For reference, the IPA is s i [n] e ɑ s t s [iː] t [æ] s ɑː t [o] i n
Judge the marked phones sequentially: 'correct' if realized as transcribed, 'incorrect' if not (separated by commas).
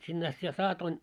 incorrect, incorrect, correct, correct